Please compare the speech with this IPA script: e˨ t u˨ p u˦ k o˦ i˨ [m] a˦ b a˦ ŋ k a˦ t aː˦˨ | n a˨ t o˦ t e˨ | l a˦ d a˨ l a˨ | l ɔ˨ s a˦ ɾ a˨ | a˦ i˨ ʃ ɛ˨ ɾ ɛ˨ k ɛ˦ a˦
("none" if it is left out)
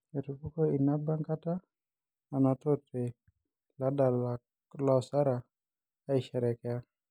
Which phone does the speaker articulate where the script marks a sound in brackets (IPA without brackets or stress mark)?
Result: n